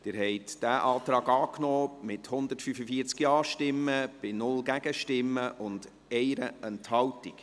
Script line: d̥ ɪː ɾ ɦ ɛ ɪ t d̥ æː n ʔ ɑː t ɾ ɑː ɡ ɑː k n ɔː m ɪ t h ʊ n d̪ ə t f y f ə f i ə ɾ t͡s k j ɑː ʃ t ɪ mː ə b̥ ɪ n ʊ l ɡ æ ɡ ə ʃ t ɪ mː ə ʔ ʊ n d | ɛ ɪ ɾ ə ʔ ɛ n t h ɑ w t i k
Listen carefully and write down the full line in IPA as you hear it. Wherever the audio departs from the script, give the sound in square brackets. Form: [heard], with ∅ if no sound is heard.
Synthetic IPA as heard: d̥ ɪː ɾ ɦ ɛ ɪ t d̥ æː [∅] ʔ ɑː t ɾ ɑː ɡ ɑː k n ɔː m ɪ t h ʊ n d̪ ə t f y f ə f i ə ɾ t͡s k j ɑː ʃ t ɪ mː ə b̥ ɪ n ʊ l ɡ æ ɡ ə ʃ t ɪ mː ə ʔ ʊ n d | ɛ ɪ ɾ ə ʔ ɛ n t h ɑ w t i k